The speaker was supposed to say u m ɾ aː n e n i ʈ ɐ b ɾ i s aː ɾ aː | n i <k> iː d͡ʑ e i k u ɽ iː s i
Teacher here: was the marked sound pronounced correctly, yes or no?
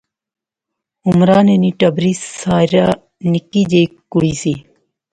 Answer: yes